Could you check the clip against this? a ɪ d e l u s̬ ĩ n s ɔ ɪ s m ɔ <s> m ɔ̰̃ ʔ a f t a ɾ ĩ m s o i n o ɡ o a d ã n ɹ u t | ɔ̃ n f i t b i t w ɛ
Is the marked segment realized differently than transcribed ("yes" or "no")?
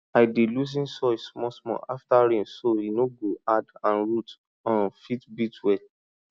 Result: no